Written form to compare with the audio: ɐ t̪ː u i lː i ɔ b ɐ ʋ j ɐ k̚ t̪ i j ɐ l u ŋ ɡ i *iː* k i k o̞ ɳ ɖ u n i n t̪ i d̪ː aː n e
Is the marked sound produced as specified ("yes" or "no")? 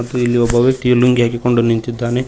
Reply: no